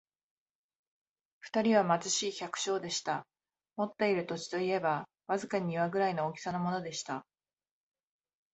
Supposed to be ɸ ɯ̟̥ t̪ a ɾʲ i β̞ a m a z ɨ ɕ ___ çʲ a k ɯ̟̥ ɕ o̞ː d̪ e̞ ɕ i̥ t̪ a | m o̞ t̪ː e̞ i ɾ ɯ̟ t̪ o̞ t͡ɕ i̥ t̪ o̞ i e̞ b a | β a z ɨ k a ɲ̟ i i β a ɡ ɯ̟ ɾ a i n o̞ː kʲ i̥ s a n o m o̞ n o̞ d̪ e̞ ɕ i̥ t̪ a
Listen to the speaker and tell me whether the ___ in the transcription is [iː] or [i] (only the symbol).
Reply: iː